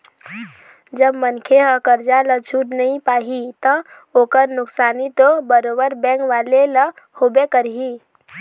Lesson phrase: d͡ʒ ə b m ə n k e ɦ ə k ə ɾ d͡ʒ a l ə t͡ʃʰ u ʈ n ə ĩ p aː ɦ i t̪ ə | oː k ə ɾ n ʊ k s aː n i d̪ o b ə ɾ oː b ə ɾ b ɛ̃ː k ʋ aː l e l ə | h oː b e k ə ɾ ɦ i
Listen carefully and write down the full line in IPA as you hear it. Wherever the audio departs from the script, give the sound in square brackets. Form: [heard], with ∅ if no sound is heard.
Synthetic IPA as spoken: d͡ʒ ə b m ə n [kʰ] e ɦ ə k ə ɾ d͡ʒ a l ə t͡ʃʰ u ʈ n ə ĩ p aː ɦ i t̪ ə | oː k ə ɾ n ʊ k s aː n i [t̪] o b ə ɾ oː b ə ɾ b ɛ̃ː k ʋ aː l e l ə | h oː b e k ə ɾ ɦ i